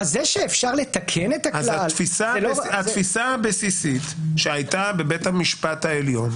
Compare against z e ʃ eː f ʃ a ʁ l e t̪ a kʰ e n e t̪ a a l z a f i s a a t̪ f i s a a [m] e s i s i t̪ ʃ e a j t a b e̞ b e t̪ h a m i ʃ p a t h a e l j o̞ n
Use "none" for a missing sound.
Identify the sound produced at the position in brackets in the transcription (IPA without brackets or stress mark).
b